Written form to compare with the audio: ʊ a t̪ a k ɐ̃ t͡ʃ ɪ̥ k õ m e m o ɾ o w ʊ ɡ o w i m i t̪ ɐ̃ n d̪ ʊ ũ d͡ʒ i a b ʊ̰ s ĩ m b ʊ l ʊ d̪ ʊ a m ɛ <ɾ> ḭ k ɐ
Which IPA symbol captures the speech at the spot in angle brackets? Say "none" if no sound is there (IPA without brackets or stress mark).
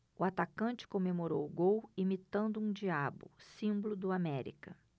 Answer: ɾ